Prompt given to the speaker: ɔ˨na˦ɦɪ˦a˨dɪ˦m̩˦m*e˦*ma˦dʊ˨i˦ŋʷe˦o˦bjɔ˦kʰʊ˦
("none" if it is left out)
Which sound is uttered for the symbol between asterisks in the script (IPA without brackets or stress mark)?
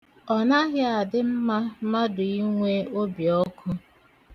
a˦